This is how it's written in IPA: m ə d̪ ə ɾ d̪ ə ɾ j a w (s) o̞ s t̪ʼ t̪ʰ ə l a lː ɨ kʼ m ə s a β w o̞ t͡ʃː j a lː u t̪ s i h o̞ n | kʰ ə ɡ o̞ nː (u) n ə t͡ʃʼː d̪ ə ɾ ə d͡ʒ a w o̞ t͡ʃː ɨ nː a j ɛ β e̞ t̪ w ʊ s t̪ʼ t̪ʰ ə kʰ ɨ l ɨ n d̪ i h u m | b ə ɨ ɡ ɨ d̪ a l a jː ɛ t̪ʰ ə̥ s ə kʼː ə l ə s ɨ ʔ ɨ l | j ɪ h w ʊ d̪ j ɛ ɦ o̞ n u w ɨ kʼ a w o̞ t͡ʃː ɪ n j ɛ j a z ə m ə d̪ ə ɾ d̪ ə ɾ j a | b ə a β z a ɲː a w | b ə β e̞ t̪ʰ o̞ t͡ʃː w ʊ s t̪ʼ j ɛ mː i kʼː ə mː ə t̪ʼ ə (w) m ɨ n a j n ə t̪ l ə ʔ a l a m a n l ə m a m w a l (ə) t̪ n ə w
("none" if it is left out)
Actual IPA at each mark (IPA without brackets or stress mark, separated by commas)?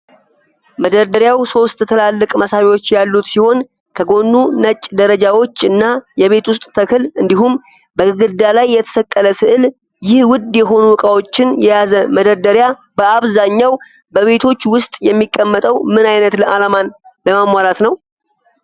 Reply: s, u, w, a